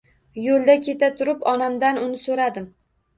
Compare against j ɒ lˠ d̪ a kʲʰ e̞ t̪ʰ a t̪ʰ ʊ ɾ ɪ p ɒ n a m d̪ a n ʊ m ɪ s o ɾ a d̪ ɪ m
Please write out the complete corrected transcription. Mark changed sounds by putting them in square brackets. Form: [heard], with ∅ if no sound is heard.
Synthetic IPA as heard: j [o] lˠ d̪ a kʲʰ e̞ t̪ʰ a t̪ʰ ʊ ɾ ɪ p ɒ n a m d̪ a n ʊ [n] ɪ s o ɾ a d̪ ɪ m